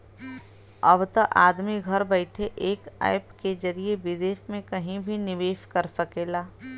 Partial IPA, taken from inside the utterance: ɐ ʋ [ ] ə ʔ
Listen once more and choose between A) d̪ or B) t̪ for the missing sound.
B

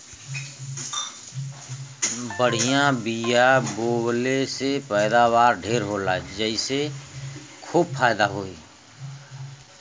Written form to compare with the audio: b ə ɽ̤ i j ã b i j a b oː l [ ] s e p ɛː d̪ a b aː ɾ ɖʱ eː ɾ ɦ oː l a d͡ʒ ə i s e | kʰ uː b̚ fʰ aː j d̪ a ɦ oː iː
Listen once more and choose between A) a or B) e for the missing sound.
B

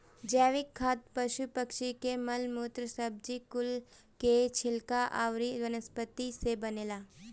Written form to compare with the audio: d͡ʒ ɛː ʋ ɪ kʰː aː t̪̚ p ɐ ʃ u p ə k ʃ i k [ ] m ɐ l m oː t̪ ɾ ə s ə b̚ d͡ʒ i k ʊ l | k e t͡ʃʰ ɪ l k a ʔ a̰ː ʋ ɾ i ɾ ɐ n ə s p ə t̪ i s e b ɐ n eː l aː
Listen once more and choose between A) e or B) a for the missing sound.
A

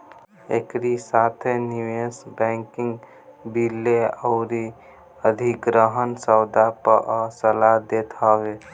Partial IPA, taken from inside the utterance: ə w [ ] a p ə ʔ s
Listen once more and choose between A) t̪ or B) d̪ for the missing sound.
B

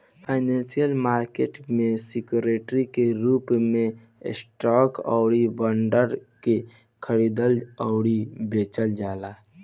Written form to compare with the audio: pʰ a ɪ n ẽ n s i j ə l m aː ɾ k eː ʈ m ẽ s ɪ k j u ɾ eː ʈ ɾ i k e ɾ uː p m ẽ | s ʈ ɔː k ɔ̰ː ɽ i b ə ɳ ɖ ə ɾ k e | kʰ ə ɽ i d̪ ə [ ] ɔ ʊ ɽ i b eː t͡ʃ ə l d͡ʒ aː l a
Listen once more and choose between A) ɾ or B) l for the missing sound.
B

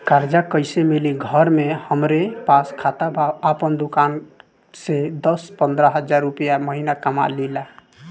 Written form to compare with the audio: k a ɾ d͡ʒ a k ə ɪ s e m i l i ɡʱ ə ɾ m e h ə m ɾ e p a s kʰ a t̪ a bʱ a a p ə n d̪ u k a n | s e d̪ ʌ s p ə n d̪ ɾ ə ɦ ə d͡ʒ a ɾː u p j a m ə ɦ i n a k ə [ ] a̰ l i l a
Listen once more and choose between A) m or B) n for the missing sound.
A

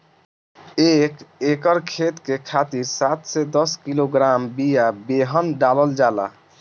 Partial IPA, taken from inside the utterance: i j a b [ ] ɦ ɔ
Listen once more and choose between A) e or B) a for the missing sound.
A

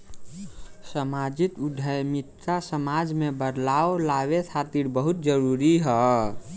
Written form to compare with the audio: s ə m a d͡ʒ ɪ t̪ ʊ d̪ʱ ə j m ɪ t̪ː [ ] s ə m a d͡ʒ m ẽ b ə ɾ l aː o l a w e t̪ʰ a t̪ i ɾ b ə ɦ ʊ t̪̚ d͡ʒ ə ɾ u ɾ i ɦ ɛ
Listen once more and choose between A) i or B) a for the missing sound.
B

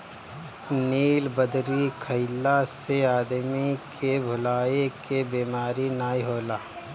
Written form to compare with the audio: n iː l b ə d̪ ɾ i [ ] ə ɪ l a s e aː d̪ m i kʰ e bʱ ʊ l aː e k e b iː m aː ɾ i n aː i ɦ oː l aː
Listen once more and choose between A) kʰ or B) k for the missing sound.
A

